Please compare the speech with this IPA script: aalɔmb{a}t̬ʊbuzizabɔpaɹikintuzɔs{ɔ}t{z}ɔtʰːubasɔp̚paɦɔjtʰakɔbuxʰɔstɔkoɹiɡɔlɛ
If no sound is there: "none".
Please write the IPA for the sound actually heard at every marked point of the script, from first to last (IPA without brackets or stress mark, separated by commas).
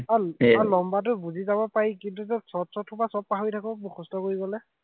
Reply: a, ɔ, s